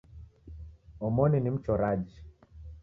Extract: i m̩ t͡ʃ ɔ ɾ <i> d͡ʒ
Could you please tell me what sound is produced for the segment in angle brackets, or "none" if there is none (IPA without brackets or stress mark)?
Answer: a